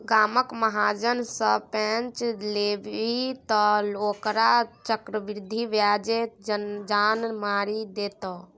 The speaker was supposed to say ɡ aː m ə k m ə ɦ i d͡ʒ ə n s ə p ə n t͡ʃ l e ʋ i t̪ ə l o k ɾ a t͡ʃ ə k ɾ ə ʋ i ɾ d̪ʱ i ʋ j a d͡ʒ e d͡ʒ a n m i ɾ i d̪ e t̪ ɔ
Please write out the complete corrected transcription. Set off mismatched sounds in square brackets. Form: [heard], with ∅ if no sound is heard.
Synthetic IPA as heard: ɡ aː m ə k m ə ɦ [a] d͡ʒ ə n s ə p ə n t͡ʃ l e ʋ i t̪ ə l o k ɾ a t͡ʃ ə k ɾ ə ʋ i ɾ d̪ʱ i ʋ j a d͡ʒ e d͡ʒ a n m [a] ɾ i d̪ e t̪ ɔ